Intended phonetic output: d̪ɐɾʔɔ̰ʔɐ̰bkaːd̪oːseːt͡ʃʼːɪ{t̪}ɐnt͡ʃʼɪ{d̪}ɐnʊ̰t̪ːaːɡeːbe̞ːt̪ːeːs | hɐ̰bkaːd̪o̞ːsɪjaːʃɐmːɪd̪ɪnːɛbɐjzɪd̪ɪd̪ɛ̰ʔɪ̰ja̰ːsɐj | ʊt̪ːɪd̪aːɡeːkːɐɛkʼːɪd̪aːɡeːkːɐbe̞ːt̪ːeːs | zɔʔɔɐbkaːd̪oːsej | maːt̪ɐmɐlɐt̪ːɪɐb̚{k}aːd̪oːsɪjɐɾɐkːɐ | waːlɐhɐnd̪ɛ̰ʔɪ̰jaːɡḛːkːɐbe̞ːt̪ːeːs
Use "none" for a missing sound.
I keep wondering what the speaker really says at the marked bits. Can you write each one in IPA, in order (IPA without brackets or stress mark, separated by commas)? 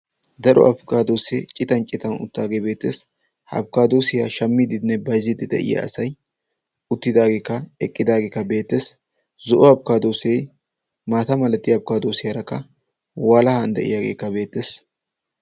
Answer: t̪, t̪, k